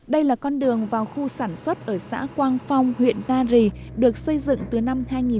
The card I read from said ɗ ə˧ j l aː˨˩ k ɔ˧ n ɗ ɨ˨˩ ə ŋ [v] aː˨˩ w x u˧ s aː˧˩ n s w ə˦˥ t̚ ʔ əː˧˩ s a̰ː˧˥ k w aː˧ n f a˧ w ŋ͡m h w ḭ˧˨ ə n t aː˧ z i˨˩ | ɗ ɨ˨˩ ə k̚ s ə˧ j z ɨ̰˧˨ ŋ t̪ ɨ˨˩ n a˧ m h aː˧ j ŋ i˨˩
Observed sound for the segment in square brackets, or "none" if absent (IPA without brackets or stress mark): v